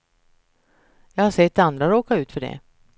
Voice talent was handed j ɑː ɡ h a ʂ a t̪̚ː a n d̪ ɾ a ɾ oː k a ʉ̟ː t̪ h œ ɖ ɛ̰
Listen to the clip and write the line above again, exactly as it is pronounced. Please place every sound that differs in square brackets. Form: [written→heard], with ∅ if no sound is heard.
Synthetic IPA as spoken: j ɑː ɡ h a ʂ [a→ɛ] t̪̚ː a n d̪ ɾ a ɾ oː k a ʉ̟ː t̪ [h→f] œ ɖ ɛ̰